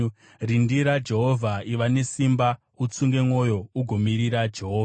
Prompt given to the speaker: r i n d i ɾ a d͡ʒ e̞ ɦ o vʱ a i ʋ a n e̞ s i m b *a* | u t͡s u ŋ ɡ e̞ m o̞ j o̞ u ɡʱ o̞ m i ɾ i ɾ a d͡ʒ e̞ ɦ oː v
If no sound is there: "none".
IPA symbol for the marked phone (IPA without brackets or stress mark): a